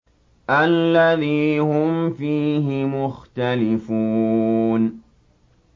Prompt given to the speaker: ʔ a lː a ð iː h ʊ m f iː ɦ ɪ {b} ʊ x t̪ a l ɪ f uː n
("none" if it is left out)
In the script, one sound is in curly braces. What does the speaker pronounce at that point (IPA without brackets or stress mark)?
m